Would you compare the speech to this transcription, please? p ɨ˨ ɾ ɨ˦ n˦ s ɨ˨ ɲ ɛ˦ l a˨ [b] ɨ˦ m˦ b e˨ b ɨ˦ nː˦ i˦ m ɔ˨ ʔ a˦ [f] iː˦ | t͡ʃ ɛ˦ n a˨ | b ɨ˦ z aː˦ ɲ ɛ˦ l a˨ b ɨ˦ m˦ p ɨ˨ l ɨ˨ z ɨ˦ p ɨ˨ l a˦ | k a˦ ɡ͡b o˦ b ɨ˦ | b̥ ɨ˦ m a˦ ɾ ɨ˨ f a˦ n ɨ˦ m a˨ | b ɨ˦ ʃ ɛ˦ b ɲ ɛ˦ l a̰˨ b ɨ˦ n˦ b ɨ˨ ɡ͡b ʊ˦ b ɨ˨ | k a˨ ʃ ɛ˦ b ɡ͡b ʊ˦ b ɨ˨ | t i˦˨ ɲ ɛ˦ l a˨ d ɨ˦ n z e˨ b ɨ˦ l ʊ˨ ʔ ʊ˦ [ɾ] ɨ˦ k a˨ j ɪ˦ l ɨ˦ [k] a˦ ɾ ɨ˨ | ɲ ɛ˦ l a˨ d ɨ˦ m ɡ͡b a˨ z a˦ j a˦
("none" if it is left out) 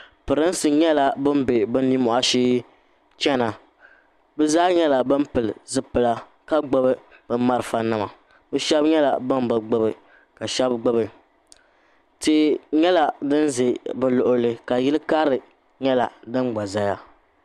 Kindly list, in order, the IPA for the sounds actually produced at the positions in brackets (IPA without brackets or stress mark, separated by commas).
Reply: b, ʃ, l, k